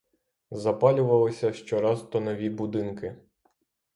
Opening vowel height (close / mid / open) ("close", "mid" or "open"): open